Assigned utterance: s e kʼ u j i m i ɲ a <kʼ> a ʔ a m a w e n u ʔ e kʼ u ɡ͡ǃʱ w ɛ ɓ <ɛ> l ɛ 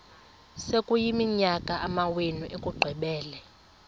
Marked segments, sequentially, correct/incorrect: correct, incorrect: ɛː

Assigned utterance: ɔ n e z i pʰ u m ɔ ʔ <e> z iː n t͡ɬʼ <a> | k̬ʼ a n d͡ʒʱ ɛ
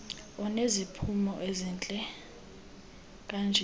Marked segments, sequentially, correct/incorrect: correct, incorrect: ɛ

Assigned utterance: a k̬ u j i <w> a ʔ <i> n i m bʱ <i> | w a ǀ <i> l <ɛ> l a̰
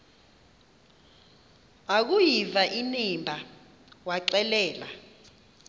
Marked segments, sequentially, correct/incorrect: incorrect: v, correct, incorrect: a, incorrect: ɛ, incorrect: ɛː

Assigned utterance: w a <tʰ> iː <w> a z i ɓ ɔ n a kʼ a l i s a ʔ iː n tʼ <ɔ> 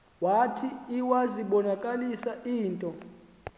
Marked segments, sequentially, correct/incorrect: correct, correct, correct

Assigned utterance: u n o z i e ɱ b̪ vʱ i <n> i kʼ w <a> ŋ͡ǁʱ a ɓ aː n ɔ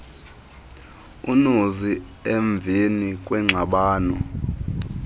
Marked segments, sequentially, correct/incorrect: correct, incorrect: ɛ

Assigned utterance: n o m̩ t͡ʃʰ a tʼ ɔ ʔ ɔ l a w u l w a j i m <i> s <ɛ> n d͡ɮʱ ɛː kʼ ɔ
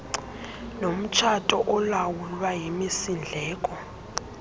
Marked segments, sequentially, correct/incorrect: correct, incorrect: i

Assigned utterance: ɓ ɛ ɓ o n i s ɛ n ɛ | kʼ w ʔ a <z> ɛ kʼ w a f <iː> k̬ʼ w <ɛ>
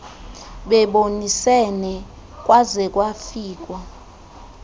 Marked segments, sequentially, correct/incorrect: correct, correct, incorrect: a

